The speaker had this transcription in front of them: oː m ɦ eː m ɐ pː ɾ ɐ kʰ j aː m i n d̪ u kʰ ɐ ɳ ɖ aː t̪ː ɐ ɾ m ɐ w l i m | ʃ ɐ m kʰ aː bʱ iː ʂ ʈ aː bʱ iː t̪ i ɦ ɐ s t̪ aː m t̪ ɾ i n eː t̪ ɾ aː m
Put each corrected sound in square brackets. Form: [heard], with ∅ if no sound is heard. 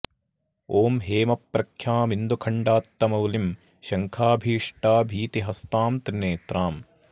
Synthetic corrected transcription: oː m ɦ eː m ɐ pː ɾ ɐ kʰ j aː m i n d̪ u kʰ ɐ ɳ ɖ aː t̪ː ɐ [∅] m ɐ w l i m | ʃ ɐ [ŋ] kʰ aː bʱ iː ʂ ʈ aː bʱ iː t̪ i ɦ ɐ s t̪ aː m t̪ ɾ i n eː t̪ ɾ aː m